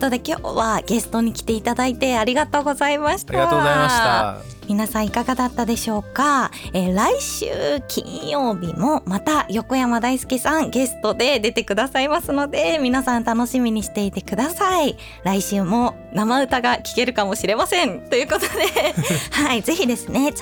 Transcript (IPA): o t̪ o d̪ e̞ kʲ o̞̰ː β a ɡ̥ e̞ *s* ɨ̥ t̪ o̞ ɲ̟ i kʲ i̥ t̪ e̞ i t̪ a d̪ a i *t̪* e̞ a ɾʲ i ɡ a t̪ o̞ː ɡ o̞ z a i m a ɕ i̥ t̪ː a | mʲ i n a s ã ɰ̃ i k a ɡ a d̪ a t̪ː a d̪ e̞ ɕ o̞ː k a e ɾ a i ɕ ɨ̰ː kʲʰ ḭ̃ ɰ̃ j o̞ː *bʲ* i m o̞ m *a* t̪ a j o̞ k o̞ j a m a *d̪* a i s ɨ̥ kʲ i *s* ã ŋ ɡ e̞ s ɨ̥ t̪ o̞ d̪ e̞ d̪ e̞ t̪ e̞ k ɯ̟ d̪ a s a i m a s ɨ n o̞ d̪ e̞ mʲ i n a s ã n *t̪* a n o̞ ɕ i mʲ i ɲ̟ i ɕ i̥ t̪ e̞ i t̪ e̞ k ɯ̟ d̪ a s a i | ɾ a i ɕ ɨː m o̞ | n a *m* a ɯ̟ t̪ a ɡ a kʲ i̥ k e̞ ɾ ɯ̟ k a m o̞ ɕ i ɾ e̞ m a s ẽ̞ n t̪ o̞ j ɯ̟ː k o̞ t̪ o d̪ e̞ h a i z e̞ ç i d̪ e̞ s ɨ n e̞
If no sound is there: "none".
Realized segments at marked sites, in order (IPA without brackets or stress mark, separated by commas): s, t̪, bʲ, a, d̪, s, t̪, m